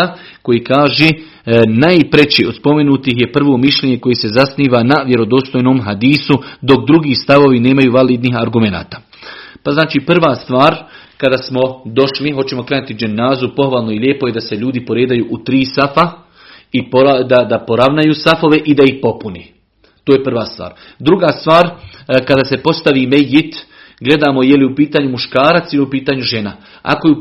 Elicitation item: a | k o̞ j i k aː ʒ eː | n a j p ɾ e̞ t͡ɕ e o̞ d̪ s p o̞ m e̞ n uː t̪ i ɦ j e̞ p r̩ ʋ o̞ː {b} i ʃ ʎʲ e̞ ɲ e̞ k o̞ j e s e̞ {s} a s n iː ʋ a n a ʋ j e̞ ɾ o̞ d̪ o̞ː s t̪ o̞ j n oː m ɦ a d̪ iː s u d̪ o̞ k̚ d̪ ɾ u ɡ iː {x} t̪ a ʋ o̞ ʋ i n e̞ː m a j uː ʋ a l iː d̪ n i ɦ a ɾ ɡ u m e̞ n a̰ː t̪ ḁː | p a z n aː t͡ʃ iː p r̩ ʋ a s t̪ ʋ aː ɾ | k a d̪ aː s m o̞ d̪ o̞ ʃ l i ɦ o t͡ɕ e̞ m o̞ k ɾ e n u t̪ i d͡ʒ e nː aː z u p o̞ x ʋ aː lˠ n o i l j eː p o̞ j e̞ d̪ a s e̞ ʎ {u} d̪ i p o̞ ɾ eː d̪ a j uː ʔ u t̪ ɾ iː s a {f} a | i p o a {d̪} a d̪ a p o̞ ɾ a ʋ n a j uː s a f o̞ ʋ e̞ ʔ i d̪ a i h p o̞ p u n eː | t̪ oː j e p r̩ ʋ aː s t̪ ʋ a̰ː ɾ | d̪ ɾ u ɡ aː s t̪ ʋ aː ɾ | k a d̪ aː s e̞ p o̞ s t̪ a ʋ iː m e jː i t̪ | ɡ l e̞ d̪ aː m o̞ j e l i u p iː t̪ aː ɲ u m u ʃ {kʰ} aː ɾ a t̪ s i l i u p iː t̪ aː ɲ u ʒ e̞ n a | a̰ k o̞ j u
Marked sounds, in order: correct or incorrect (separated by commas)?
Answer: incorrect, incorrect, incorrect, incorrect, correct, correct, incorrect